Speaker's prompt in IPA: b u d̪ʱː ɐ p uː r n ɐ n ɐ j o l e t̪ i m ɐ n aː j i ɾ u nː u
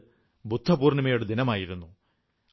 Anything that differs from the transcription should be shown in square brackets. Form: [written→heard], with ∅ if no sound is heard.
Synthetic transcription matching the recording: b u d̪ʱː ɐ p uː r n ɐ [n→m] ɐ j o [l→ɽ] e [t̪→d̪] i [m→n] ɐ [n→m] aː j i ɾ u nː u